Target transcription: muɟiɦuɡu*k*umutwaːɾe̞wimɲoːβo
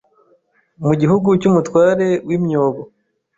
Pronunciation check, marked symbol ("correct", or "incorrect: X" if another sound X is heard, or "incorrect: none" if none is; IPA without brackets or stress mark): incorrect: c